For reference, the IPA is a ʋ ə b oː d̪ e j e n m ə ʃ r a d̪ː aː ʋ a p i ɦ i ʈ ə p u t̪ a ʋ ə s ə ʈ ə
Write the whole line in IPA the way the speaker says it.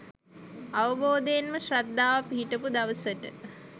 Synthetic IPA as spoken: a ʋ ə b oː d̪ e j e n m ə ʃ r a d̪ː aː ʋ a p i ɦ i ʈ ə p u d̪ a ʋ ə s ə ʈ ə

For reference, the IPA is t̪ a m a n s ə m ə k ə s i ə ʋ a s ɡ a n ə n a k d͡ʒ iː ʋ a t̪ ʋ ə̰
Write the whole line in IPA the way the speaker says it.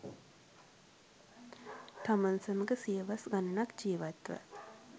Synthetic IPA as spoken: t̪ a m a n s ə m ə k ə s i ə ʋ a s ɡ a n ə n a k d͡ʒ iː ʋ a t̪ ʋ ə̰

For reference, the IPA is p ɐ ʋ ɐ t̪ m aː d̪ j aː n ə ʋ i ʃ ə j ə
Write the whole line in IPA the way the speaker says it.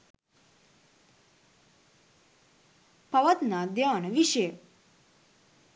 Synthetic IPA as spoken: p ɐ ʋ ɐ t̪ n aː d̪ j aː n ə ʋ i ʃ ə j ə

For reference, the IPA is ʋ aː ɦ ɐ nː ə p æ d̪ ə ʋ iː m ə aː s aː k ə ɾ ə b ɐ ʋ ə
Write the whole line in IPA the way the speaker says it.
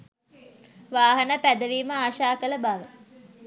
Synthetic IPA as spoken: ʋ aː ɦ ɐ n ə p æ d̪ ə ʋ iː m ə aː ʃ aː k ə l ə b a ʋ ə

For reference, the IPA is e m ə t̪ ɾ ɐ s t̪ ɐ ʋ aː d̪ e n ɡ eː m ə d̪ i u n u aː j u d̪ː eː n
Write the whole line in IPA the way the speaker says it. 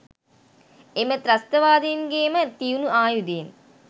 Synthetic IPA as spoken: e m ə t̪ ɾ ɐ s t̪ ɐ ʋ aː d̪ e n ɡ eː m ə t̪ i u n u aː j u d̪ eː n

